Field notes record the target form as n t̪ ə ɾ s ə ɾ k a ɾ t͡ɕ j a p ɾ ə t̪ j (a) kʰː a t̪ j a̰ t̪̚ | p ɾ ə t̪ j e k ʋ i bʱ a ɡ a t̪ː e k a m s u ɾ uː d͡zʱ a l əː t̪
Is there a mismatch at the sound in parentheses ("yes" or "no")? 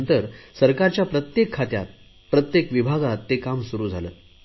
yes